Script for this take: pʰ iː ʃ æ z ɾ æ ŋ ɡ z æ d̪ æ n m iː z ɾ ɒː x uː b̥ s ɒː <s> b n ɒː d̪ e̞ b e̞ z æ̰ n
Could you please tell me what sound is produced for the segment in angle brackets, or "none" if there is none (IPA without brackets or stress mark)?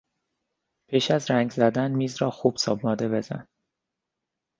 none